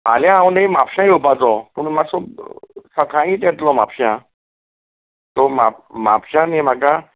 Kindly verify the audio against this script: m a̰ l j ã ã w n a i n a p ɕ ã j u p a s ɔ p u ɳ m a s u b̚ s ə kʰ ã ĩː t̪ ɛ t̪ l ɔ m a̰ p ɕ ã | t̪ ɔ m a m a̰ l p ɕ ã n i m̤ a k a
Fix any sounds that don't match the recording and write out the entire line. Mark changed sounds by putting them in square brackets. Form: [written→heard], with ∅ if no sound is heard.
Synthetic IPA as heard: m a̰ l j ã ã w n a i [n→m] a p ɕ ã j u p a [s→t͡s] ɔ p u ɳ m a s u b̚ s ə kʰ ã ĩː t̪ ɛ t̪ l ɔ m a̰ p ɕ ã | t̪ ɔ m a m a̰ [l→∅] p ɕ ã n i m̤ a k a